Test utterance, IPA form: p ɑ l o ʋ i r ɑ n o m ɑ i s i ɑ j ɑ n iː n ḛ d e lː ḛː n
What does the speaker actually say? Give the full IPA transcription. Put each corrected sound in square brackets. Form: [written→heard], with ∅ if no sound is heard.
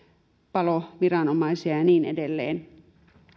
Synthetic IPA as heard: p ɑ l o ʋ i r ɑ n o m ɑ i s i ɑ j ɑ n iː n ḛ d e lː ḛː n